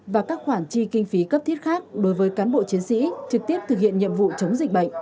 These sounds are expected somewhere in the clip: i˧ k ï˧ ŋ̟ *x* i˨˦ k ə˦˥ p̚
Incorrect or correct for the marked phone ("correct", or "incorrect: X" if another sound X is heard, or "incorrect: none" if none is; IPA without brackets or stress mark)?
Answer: incorrect: f